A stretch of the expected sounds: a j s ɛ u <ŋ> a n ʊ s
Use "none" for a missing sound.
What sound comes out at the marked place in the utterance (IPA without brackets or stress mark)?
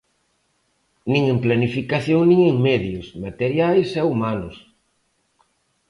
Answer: m